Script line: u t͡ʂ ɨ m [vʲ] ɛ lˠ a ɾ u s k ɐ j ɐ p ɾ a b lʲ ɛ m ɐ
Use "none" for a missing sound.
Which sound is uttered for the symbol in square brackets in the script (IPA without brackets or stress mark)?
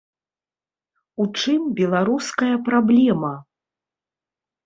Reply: bʲ